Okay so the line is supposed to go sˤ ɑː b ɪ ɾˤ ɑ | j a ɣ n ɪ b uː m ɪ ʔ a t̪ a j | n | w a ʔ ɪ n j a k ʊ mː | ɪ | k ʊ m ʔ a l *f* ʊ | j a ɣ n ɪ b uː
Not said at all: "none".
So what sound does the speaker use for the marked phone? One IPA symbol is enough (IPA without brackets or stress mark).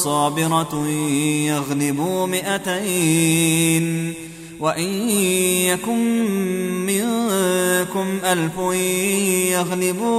f